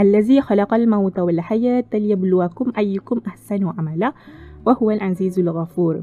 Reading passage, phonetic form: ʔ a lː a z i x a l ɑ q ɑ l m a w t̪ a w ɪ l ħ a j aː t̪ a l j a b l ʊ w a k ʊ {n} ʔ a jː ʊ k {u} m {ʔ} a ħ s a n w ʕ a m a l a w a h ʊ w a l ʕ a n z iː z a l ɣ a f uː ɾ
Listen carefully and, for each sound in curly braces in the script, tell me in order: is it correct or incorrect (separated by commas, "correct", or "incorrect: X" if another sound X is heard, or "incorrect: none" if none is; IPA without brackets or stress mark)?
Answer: incorrect: m, incorrect: ʊ, correct